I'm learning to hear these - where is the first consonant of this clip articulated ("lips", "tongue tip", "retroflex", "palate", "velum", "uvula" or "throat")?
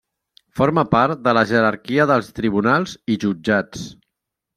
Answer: lips